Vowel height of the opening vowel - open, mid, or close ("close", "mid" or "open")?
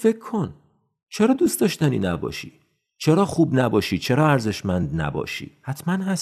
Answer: mid